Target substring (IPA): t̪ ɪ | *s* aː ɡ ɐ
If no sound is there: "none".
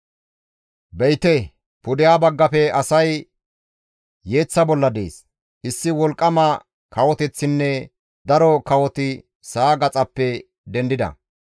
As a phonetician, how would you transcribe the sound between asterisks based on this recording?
s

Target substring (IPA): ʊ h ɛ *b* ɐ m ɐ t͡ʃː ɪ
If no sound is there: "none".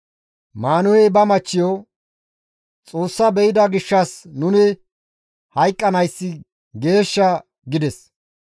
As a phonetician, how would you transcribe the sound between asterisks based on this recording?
b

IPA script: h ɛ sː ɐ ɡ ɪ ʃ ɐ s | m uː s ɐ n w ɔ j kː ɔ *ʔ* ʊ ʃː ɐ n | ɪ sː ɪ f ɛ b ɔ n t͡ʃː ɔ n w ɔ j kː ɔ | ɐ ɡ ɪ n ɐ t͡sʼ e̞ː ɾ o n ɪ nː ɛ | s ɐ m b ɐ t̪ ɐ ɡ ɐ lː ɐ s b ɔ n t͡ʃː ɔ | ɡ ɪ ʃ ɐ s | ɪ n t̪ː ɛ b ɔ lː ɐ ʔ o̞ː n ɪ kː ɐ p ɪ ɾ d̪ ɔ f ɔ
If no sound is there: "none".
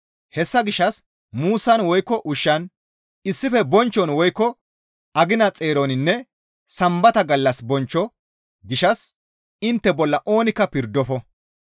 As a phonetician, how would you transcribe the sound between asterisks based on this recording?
ʔ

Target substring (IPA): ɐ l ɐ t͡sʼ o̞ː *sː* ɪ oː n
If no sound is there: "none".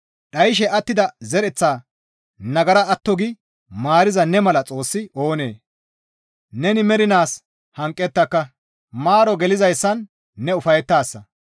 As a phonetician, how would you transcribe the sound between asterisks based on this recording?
sː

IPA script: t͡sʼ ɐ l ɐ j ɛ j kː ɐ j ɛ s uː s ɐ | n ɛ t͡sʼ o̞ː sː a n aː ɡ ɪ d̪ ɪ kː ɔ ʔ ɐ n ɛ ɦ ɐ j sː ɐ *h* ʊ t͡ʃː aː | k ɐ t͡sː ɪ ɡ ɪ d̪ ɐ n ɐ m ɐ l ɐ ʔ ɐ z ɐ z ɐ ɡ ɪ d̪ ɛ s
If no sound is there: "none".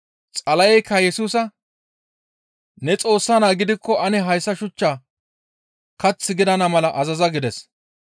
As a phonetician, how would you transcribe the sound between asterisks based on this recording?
ʃ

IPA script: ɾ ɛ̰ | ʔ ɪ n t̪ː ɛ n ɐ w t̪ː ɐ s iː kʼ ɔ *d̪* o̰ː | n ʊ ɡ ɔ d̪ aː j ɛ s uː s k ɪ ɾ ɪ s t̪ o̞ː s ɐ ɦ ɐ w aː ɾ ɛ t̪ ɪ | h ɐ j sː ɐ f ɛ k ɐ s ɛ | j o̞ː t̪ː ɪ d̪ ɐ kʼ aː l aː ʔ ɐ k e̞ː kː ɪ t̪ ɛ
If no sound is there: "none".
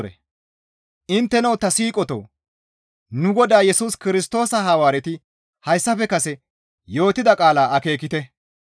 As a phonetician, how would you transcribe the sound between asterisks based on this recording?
t̪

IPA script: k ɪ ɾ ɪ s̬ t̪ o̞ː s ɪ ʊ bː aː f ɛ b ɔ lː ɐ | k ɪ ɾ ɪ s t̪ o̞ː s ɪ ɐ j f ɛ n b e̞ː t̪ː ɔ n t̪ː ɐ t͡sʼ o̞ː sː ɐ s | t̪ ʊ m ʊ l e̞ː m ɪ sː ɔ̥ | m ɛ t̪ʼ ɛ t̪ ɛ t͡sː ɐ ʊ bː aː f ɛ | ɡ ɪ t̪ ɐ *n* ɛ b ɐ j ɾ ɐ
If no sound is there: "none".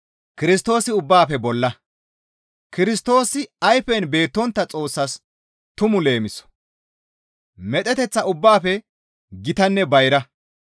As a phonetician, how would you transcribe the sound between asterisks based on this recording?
nː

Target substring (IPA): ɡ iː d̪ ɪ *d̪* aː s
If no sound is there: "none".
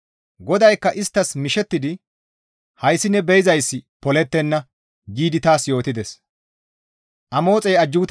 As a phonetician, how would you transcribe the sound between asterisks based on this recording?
t̪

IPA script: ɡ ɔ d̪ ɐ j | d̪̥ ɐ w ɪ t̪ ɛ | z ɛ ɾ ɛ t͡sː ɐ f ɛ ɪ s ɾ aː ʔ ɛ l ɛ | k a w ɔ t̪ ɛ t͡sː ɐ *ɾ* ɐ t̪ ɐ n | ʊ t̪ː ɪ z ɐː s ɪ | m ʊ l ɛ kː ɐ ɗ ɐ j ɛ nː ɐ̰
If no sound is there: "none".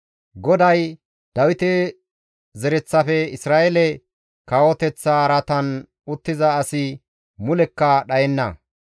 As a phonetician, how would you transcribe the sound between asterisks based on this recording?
ɾ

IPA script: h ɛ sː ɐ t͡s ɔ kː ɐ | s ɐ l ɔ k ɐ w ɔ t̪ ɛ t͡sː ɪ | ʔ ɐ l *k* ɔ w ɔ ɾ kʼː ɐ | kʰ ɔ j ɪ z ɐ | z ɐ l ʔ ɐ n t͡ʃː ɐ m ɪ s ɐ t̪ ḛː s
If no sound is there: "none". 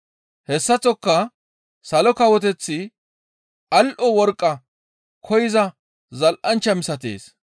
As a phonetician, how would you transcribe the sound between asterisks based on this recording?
ʔ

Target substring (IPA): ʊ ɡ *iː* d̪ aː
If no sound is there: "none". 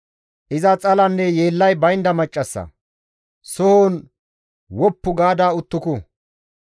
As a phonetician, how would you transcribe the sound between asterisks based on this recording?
aː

